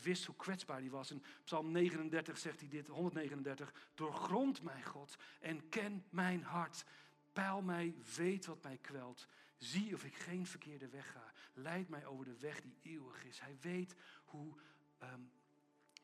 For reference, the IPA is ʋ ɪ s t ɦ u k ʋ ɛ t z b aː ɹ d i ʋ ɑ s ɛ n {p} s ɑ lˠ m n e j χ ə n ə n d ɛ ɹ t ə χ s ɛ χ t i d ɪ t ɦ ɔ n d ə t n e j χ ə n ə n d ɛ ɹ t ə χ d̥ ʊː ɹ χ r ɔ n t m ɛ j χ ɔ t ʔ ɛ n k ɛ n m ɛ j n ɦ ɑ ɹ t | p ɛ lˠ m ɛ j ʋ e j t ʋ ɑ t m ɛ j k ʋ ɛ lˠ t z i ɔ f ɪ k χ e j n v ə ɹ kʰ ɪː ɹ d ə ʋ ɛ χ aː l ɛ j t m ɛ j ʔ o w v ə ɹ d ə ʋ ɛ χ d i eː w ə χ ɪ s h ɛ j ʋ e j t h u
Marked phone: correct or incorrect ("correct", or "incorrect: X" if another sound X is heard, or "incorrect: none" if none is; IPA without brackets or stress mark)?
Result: correct